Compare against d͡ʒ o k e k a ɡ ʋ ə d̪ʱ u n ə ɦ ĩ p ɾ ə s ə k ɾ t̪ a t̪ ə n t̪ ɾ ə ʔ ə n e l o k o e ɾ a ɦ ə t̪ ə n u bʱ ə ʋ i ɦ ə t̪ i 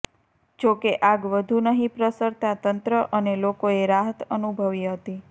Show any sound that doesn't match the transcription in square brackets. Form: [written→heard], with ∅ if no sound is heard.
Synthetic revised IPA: d͡ʒ o k e [k→ʔ] a ɡ ʋ ə d̪ʱ u n ə ɦ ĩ p ɾ ə s ə [k→∅] ɾ t̪ a t̪ ə n t̪ ɾ ə ʔ ə n e l o k o e ɾ a ɦ ə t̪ ə n u bʱ ə ʋ i ɦ ə t̪ i